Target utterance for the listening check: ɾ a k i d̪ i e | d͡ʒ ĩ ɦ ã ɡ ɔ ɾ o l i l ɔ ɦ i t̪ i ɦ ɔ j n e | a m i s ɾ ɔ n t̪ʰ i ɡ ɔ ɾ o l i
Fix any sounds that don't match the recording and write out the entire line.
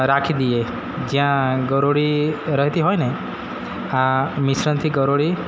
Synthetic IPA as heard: ɾ a kʰ i d̪ i e | d͡ʒ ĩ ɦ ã ɡ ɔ ɾ o ɽ i ɾ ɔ ɦ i t̪ i ɦ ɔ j n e | a m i s ɾ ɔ n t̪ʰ i ɡ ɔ ɾ o ɽ i